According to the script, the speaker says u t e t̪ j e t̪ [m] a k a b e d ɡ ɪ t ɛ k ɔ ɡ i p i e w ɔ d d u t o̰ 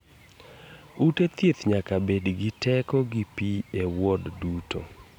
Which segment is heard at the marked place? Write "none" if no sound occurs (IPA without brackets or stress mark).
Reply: ɲ